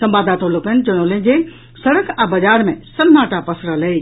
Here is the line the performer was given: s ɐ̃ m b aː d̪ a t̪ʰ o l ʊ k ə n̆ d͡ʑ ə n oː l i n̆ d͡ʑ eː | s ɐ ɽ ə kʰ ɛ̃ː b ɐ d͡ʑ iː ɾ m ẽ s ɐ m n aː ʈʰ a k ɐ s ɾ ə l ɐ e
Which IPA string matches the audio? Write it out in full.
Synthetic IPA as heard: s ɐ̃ m b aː d̪ a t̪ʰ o l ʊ k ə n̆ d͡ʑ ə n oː l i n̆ d͡ʑ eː | s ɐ ɽ ə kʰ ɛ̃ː b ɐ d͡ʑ aː ɾ m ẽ s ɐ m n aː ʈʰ a p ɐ s ɾ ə l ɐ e